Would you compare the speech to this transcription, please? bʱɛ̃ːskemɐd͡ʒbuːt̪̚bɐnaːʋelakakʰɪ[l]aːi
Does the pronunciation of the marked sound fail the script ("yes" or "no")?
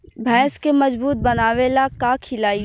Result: no